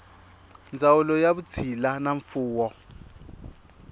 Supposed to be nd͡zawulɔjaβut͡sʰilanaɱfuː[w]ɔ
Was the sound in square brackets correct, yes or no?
yes